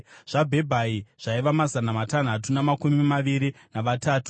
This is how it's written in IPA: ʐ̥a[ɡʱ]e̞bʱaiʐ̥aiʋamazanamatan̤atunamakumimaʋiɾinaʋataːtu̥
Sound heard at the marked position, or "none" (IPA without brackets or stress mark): bʱ